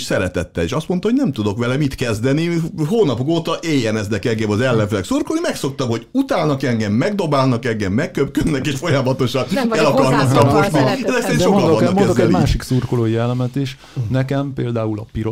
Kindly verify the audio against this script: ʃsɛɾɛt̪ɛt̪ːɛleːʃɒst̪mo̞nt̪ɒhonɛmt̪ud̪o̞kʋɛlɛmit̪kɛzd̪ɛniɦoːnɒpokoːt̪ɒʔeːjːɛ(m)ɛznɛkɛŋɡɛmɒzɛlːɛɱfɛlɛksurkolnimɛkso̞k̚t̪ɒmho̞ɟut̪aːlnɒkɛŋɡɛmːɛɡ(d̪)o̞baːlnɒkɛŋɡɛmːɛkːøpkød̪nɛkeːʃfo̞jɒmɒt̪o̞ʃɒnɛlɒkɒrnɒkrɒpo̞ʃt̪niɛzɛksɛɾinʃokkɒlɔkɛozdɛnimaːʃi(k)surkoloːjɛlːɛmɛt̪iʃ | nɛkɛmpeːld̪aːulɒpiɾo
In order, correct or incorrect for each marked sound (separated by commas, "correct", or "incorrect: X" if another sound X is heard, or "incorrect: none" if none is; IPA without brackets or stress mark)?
incorrect: n, correct, correct